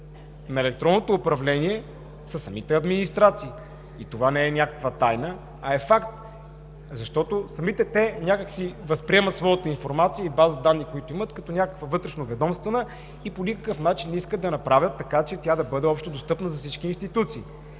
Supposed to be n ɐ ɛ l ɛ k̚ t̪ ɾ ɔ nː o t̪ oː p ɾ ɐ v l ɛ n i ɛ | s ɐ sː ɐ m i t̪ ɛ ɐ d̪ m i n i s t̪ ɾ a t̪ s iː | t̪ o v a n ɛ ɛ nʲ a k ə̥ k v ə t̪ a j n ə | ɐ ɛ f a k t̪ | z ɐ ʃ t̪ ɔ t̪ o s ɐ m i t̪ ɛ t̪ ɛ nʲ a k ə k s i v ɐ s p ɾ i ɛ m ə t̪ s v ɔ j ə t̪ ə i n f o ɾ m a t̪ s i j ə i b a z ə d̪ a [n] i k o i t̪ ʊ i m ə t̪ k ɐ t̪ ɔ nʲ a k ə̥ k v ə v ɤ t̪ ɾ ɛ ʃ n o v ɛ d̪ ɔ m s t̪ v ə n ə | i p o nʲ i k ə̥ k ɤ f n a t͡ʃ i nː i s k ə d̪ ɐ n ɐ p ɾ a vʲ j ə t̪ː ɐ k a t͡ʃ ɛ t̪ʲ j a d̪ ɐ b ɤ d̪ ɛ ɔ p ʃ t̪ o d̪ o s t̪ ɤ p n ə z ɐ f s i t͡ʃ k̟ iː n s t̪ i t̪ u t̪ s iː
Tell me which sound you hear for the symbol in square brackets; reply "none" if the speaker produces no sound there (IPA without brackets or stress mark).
nː